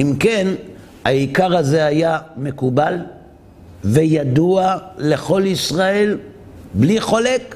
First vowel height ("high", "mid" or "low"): high